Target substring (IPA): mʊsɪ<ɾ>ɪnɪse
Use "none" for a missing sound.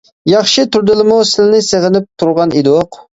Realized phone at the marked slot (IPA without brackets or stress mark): l